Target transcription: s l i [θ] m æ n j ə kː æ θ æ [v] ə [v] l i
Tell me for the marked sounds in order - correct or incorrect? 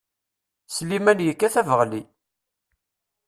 incorrect: none, correct, incorrect: ʁ

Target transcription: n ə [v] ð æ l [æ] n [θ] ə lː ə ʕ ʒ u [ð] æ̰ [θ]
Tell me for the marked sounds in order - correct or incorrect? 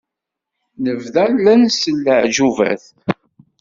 correct, correct, incorrect: s, incorrect: v, correct

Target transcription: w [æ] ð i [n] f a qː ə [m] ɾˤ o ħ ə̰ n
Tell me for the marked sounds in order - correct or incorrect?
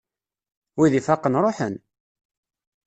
incorrect: i, incorrect: none, incorrect: n

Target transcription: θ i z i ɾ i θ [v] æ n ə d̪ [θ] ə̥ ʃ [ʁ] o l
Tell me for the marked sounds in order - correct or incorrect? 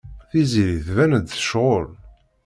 correct, correct, correct

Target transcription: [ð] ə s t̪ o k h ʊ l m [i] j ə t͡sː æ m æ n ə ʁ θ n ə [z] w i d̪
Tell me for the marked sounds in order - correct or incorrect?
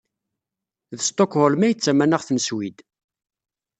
correct, incorrect: æ, incorrect: s

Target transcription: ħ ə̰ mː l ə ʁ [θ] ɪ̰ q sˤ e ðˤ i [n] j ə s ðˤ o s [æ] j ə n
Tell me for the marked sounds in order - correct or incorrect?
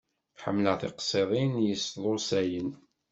correct, correct, correct

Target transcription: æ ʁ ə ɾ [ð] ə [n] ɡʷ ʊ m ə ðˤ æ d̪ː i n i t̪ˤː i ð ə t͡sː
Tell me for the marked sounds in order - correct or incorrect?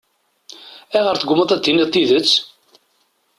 incorrect: θ, incorrect: none

